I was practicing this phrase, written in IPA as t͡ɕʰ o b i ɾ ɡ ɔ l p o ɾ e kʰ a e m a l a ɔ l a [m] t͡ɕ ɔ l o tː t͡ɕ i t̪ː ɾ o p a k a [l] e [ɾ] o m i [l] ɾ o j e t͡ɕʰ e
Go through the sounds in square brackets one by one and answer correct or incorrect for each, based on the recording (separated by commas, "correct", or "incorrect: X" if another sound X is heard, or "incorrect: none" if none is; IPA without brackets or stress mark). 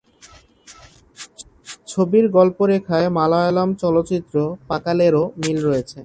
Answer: correct, correct, correct, correct